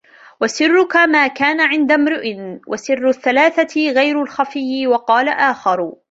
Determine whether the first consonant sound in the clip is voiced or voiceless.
voiced